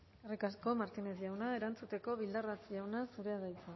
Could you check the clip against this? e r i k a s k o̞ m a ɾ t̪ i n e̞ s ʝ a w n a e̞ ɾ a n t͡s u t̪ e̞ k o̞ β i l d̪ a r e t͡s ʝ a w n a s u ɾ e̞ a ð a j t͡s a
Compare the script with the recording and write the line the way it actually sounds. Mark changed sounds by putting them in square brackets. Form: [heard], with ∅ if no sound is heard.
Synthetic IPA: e r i k a s k o̞ m a ɾ t̪ i n e̞ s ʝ a w n a e̞ ɾ a n t͡s u t̪ e̞ k o̞ β i l d̪ a r [a] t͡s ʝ a w n a s u ɾ e̞ a ð a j t͡s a